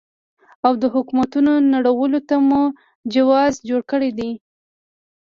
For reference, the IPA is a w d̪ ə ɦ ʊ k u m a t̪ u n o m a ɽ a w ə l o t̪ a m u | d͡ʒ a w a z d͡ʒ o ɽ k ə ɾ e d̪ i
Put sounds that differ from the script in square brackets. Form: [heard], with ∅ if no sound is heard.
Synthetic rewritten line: a w d̪ ə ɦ ʊ k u m a t̪ u n o [n] a ɽ a w ə l o t̪ a m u | d͡ʒ a w [ɑ] z d͡ʒ o ɽ k ə [ɽ] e d̪ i